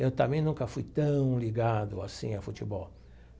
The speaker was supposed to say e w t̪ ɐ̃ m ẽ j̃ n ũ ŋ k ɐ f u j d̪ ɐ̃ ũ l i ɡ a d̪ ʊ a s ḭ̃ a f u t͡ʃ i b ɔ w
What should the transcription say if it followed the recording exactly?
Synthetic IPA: e w t̪ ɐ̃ m ẽ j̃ n ũ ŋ k ɐ f u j t̪ ɐ̃ w̃ l i ɡ a d̪ ʊ a s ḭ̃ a f u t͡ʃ i b ɔ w